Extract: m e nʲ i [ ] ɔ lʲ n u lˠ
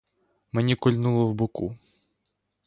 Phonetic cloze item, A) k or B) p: A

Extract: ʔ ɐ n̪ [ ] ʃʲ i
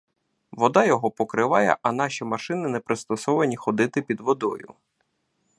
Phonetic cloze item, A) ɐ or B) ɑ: B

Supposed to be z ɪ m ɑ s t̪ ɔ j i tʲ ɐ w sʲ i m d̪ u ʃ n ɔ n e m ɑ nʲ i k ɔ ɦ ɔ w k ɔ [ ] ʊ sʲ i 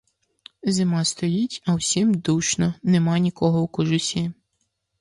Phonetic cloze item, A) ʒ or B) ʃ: A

